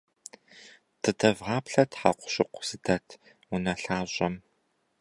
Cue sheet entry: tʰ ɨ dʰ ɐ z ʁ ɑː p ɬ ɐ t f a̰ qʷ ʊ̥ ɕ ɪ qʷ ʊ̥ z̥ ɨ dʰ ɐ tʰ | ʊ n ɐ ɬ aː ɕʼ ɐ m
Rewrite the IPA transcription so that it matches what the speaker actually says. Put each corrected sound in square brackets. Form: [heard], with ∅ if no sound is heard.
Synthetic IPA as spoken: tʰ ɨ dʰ ɐ [v] ʁ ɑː p ɬ ɐ t [ħ] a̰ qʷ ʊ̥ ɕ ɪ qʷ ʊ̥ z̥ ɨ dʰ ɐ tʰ | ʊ n ɐ ɬ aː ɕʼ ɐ m